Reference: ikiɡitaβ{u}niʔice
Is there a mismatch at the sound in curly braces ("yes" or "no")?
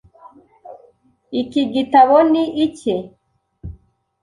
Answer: yes